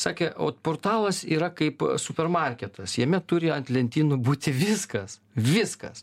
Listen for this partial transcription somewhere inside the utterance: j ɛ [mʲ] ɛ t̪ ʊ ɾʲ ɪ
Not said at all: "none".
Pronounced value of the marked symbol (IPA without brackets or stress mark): mʲ